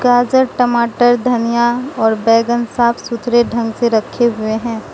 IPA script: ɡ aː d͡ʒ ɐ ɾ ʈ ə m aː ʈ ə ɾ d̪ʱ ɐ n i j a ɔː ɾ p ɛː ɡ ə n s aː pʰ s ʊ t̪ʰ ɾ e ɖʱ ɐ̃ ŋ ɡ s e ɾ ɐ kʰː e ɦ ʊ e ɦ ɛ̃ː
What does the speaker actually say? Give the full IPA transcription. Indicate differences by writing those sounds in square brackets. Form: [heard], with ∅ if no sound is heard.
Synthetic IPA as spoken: ɡ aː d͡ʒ [ə] ɾ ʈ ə m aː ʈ ə ɾ d̪ʱ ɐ n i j a ɔː ɾ [b] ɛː ɡ ə n s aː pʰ s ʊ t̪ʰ ɾ e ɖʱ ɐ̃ ŋ ɡ s e ɾ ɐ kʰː e ɦ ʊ e ɦ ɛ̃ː